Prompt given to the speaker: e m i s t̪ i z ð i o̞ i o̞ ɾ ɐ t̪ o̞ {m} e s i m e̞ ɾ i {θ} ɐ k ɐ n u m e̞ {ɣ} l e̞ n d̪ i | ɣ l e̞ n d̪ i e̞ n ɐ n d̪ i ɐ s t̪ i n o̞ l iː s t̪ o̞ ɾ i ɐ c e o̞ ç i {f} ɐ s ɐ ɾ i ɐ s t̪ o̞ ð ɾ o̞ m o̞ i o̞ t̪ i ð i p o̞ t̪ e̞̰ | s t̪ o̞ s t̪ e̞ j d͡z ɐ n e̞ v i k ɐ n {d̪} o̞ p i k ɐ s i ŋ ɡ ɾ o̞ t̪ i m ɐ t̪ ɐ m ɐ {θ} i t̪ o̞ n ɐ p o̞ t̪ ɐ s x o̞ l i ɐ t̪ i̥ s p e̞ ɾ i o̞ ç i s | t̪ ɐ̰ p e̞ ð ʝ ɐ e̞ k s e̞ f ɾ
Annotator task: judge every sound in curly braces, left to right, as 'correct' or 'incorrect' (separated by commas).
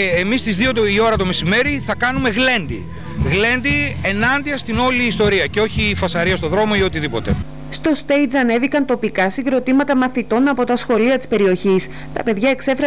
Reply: correct, correct, correct, correct, incorrect, correct